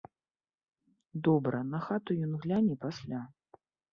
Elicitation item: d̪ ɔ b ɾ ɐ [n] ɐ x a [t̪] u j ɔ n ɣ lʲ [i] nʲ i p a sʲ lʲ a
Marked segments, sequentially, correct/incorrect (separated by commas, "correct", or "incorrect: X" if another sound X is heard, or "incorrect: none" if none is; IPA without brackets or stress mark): correct, correct, incorrect: a